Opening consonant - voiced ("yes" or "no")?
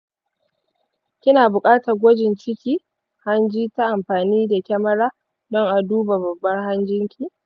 no